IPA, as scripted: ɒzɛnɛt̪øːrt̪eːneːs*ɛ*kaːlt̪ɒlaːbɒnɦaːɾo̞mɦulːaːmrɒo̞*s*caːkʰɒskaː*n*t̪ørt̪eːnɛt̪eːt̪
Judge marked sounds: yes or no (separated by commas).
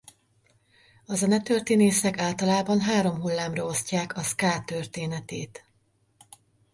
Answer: yes, yes, no